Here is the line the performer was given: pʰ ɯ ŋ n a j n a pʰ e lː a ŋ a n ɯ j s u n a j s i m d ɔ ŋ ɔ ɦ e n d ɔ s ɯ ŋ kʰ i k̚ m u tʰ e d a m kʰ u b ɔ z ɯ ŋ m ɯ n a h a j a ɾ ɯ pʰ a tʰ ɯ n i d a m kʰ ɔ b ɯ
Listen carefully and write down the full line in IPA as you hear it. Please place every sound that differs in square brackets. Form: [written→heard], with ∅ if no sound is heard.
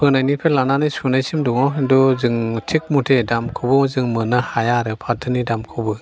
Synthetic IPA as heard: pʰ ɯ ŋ n a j n [a→i] pʰ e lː a [ŋ→n] a n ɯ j s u n a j s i m d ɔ ŋ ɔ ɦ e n d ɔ [s→z] ɯ ŋ [kʰ→tʰ] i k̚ m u tʰ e d a m kʰ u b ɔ z ɯ ŋ m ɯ n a h a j a ɾ ɯ pʰ a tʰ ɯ n i d a m kʰ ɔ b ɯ